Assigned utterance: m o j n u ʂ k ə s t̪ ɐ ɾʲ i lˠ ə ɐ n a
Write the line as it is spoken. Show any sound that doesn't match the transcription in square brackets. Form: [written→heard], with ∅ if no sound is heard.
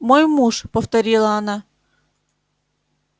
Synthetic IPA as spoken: m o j [n→m] u ʂ [k→p] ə [s→f] t̪ ɐ ɾʲ i lˠ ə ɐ n a